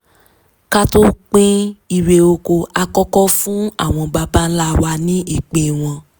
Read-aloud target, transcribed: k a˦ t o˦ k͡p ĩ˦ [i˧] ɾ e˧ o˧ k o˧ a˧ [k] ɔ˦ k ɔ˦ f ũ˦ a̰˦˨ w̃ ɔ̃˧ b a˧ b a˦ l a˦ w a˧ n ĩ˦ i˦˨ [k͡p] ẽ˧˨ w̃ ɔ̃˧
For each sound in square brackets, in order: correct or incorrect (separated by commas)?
correct, correct, correct